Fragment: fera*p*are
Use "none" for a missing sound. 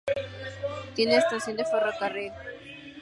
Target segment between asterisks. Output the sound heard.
k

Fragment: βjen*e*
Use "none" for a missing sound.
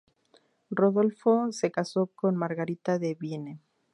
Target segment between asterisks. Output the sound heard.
e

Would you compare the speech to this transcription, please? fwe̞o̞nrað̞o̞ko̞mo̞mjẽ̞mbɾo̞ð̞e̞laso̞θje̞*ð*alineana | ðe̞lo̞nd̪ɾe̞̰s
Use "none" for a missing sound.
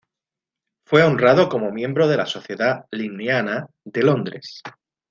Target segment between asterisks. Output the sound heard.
ð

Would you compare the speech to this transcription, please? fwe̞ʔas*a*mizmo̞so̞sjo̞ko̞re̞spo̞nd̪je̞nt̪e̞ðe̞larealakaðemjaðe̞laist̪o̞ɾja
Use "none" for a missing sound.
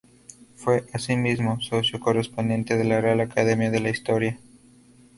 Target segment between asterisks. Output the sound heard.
i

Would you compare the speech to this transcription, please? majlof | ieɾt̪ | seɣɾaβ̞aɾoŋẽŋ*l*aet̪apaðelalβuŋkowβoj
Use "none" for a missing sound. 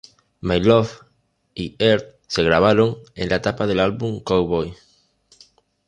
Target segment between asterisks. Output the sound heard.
l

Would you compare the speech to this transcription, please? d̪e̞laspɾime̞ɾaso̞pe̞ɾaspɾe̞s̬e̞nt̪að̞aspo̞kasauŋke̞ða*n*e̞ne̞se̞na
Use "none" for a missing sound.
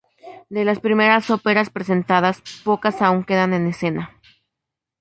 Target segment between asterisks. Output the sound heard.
n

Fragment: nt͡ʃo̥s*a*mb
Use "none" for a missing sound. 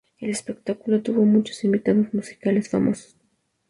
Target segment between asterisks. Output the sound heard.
i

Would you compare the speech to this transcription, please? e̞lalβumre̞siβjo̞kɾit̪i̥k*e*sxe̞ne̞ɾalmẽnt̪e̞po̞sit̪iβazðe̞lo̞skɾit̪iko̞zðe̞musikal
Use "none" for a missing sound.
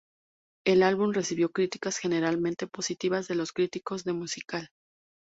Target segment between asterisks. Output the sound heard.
a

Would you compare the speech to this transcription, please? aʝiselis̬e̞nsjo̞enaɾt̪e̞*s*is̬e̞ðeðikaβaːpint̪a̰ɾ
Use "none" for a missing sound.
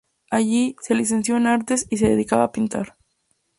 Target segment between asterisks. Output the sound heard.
s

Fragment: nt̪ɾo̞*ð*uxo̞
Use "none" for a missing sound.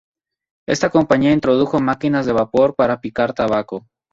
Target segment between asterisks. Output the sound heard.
ð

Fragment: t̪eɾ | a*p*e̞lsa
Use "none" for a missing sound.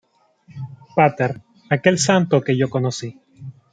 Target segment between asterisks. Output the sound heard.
k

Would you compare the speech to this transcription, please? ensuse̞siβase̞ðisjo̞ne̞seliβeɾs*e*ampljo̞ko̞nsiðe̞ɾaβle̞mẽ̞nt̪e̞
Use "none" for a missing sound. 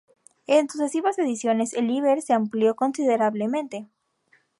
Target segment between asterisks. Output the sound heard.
e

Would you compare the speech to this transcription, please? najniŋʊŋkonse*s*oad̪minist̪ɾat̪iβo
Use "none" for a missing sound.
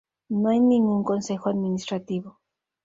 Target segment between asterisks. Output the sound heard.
x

